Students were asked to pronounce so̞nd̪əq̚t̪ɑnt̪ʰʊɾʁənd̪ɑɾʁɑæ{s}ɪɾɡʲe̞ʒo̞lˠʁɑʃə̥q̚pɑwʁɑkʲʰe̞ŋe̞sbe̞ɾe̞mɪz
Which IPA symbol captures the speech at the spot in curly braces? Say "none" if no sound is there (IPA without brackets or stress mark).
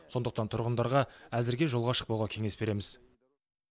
z